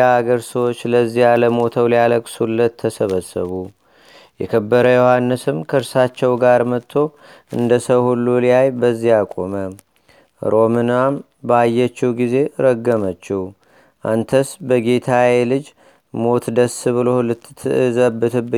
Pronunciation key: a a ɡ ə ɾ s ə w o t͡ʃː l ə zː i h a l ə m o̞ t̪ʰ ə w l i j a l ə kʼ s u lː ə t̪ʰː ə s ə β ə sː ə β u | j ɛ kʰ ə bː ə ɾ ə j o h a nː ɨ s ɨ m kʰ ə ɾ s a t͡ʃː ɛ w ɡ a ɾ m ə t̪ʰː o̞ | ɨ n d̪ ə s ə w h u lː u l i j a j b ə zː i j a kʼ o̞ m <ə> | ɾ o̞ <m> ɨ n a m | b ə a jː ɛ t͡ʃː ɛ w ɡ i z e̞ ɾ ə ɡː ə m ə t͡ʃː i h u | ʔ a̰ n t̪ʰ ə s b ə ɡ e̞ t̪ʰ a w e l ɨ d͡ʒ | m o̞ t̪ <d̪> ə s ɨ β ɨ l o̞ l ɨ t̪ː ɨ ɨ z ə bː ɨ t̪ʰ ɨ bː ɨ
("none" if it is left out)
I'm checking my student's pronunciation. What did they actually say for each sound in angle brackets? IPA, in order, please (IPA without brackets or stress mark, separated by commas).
ə, m, d̪